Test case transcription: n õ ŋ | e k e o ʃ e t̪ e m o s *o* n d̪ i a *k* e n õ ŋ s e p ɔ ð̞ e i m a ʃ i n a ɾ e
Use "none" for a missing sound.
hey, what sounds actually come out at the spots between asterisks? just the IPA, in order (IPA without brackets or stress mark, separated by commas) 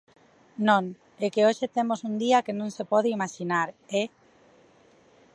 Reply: u, k